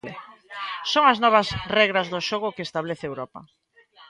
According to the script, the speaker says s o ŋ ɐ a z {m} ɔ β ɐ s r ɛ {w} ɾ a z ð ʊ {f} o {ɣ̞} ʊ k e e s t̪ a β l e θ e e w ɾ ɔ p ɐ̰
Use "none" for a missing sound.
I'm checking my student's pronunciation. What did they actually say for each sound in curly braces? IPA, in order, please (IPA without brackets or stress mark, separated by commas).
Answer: n, ɣ, ʃ, ɣ̞